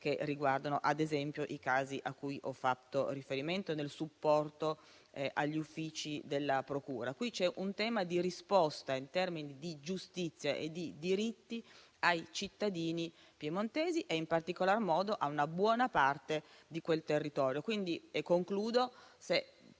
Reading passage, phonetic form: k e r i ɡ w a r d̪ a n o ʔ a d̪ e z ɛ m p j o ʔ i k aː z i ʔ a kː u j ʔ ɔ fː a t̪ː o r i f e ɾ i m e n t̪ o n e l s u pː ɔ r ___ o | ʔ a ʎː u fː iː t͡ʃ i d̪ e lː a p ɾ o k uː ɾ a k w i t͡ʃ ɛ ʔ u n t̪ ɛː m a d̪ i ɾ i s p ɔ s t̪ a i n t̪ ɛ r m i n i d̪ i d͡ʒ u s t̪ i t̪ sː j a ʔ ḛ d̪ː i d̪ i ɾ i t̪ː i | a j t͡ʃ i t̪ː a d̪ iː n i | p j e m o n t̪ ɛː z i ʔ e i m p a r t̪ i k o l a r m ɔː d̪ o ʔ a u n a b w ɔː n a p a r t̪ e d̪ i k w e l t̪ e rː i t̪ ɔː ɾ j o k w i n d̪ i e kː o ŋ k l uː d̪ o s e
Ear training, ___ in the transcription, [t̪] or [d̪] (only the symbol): t̪